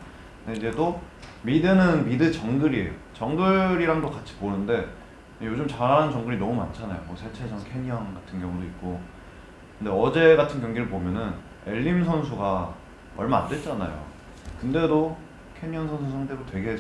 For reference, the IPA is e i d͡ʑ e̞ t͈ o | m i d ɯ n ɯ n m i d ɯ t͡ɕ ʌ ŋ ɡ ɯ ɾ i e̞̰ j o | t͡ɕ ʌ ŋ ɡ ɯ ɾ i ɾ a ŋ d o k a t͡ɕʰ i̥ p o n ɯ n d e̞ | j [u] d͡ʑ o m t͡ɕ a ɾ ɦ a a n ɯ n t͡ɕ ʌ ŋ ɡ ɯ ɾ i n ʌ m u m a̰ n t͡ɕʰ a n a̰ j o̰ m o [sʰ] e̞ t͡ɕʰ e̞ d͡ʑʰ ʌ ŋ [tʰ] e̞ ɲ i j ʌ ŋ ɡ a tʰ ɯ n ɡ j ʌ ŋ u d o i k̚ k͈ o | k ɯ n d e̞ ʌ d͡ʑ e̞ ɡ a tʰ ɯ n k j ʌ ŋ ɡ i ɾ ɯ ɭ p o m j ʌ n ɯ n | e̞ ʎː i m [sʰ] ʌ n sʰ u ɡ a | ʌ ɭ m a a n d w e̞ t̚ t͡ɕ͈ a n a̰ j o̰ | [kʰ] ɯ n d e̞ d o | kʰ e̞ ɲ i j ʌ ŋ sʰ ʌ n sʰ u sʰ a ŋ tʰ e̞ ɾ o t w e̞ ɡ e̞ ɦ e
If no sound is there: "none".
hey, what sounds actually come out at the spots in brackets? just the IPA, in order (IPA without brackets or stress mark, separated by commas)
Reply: o, sʰ, kʰ, sʰ, k